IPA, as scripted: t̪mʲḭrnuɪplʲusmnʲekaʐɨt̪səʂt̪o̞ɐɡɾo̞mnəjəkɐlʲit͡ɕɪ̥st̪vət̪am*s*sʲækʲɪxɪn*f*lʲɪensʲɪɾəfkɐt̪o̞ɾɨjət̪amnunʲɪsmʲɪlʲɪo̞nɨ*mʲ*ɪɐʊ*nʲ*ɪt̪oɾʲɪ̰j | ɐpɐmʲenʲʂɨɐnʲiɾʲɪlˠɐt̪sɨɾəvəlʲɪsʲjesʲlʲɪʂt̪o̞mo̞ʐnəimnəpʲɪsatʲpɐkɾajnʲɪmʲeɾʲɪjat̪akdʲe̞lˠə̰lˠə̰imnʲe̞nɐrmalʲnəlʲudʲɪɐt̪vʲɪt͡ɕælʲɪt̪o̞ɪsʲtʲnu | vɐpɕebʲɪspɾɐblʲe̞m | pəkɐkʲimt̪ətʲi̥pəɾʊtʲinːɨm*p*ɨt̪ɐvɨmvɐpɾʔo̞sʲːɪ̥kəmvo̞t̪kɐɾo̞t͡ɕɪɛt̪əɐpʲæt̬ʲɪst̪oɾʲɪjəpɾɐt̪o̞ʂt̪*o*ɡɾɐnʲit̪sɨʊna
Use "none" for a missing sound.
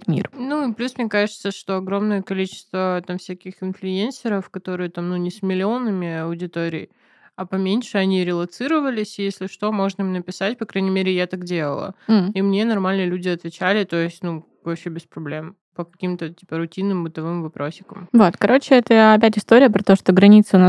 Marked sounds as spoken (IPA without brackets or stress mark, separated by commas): f, f, mʲ, dʲ, b, o